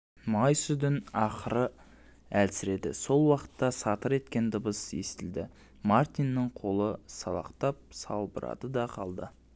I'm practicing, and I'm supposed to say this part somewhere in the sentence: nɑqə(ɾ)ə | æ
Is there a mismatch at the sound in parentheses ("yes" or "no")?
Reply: no